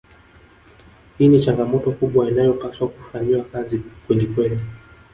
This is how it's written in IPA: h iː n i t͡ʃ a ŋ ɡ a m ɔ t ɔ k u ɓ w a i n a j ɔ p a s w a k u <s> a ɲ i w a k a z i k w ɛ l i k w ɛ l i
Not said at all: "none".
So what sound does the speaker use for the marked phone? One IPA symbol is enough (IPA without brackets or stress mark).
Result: f